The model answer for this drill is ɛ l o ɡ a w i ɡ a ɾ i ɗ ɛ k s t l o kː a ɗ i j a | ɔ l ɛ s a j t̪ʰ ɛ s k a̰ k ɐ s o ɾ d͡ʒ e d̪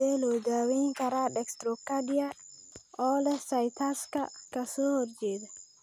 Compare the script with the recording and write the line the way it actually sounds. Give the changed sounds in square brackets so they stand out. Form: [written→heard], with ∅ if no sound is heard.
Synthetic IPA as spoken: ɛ l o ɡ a w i [ɡ→k] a ɾ [i→a] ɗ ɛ k s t [l→ɾ] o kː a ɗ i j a | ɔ l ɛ s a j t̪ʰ [ɛ→a] s k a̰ k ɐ s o ɾ d͡ʒ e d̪